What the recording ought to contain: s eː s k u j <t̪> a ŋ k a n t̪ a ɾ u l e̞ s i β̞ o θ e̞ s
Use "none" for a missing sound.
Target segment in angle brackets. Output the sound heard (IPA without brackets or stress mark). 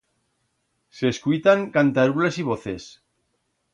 t̪